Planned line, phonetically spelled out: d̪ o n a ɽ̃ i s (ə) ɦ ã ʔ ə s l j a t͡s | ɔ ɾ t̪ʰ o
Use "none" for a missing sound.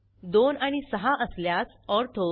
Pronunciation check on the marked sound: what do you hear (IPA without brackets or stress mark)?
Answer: ə